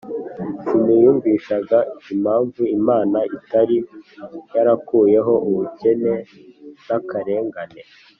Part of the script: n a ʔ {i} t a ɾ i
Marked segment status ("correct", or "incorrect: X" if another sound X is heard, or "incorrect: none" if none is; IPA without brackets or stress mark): correct